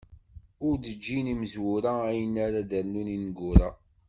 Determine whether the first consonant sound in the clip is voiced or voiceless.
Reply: voiced